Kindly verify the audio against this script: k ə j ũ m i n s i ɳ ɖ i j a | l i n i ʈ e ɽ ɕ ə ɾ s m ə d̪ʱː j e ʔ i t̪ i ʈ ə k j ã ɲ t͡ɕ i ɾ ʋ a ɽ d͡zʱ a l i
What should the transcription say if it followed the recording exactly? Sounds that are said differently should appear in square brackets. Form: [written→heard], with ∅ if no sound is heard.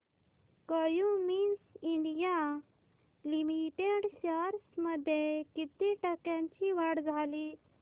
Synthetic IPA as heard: k ə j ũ m i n s i ɳ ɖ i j a | l i [n→m] i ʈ e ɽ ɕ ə ɾ s m ə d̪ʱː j e [ʔ→k] i t̪ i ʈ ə k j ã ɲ t͡ɕ i [ɾ→∅] ʋ a ɽ d͡zʱ a l i

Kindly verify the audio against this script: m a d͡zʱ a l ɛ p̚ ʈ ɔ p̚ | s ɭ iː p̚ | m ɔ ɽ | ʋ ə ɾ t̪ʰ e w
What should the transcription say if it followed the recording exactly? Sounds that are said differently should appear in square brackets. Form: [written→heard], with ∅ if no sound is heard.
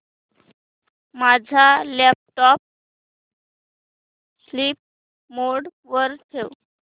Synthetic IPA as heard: m a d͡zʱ a l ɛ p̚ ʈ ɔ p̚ | s [ɭ→l] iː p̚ | m [ɔ→o] ɽ | ʋ ə ɾ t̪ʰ e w

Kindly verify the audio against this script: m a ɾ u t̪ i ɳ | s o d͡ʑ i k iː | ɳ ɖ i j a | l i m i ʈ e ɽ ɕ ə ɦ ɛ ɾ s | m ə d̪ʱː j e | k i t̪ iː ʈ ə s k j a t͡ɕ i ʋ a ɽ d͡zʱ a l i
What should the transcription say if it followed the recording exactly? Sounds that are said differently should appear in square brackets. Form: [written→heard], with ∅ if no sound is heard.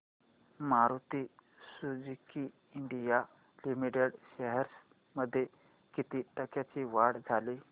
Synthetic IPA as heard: m a ɾ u t̪ i [ɳ→∅] | s [o→u] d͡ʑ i k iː | ɳ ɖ i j a | l i m i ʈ e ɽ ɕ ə ɦ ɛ ɾ s | m ə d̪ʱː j e | k i t̪ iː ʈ ə [s→∅] k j a t͡ɕ i ʋ a ɽ d͡zʱ a l i

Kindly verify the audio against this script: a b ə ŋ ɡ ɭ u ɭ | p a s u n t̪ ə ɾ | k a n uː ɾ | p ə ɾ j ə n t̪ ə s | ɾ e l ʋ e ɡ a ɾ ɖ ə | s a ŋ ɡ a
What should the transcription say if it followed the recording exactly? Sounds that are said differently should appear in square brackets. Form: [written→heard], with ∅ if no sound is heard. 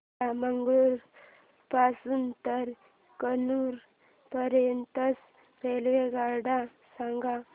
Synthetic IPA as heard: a [b→m] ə ŋ ɡ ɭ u [ɭ→ɾ] | p a s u n t̪ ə ɾ | k [a→ə] n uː ɾ | p ə ɾ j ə n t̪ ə s | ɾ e l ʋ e ɡ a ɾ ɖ [ə→a] | s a ŋ ɡ a

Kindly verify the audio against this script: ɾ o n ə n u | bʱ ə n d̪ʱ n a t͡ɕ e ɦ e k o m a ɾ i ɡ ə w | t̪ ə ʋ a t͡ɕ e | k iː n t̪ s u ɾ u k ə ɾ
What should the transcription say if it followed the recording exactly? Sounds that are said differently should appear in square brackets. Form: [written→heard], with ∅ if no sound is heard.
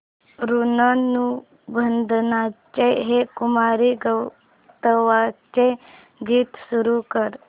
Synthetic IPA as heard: ɾ [o→u] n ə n u | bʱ ə n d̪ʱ n a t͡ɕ e ɦ e k [o→u] m a ɾ i ɡ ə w | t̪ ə ʋ a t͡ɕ e | [k→ɡ] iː [n→∅] t̪ s u ɾ u k ə ɾ

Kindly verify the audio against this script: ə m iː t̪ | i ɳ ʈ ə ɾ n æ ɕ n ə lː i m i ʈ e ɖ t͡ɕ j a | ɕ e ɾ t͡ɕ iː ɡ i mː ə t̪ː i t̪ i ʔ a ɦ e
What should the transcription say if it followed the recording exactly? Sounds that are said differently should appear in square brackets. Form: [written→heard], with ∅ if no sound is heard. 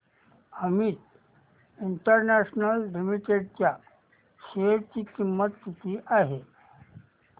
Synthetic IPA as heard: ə m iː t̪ | i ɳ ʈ ə ɾ n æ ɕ n ə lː i m i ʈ e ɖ t͡ɕ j a | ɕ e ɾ t͡ɕ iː [ɡ→k] i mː ə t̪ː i t̪ i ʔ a ɦ e

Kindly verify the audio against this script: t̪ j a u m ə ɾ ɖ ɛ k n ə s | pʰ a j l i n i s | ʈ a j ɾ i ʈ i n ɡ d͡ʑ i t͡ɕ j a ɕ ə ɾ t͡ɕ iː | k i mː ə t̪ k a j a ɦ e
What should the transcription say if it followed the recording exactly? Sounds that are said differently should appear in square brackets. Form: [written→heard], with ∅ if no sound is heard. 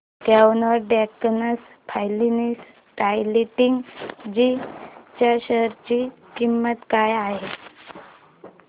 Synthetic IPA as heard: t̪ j a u [m→n] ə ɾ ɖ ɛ k n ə s | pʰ a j l i n i s | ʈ a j [ɾ→l] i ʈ i [n→ŋ] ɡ d͡ʑ i t͡ɕ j a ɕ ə ɾ t͡ɕ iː | k i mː ə t̪ k a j a ɦ e

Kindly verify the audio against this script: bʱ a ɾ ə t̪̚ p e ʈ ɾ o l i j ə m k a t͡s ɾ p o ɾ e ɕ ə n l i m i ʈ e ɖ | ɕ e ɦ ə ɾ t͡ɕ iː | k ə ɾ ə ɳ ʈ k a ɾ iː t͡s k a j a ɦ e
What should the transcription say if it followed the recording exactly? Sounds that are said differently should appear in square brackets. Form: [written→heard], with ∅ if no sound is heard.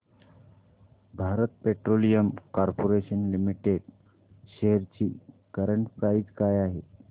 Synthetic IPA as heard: bʱ a ɾ ə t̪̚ p e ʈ ɾ o l i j ə m k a [t͡s→∅] ɾ p o ɾ e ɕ ə n l i m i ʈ e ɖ | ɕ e ɦ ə ɾ t͡ɕ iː | k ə ɾ ə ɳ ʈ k a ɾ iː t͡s k a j a ɦ e

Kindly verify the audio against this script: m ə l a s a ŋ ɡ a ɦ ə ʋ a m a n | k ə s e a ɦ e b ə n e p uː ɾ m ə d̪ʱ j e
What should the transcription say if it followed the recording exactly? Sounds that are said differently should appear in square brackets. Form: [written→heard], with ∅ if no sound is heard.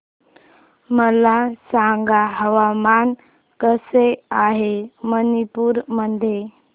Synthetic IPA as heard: m ə l a s a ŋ ɡ a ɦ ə ʋ a m a n | k ə s e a ɦ e [b→m] ə n [e→i] p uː ɾ m ə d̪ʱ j e

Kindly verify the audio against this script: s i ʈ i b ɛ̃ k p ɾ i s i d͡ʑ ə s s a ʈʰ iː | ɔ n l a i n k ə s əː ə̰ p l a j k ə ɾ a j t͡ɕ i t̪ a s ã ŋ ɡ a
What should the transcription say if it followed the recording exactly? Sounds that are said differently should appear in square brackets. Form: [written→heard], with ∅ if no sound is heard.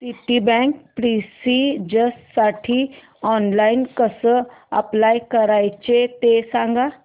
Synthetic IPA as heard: s i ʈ i b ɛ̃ k p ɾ i s i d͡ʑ ə s s a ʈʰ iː | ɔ n l a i n k ə s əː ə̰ p l a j k ə ɾ a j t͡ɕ [i→e] t̪ [a→e] s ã ŋ ɡ a

